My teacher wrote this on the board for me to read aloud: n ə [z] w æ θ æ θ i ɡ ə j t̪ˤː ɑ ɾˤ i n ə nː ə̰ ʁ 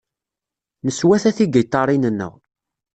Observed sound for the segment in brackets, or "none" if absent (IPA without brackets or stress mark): s